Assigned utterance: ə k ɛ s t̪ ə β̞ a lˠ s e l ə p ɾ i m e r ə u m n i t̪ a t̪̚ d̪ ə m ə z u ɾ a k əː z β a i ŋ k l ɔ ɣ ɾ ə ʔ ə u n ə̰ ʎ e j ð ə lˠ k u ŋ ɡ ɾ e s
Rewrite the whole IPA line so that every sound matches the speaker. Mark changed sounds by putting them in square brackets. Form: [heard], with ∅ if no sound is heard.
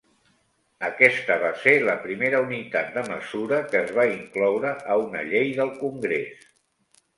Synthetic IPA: ə k ɛ s t̪ ə β̞ a [∅] s e l ə p ɾ i m e [ɾ] ə u [∅] n i t̪ a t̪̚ d̪ ə m ə z u ɾ [ə] k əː z β a i ŋ k l ɔ [w] ɾ ə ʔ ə u n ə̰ ʎ e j ð ə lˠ k u ŋ ɡ ɾ e s